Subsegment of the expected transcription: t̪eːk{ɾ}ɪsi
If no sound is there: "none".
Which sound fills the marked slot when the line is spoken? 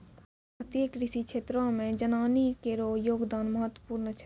ɾ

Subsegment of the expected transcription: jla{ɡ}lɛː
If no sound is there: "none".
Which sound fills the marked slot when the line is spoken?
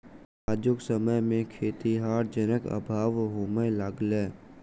ɡ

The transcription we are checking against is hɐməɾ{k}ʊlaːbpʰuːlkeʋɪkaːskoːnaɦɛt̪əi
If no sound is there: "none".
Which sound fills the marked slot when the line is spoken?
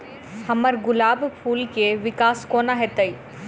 ɡ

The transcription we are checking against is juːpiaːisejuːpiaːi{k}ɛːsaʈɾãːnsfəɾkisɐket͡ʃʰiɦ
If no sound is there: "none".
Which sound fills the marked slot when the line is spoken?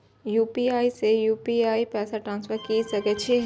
p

